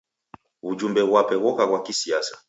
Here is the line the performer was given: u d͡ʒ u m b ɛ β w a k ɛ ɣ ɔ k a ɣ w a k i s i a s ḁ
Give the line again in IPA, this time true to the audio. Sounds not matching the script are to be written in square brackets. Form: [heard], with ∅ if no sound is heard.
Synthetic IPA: u d͡ʒ u m b ɛ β w a [p] ɛ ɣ ɔ k a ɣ w a k i s i a s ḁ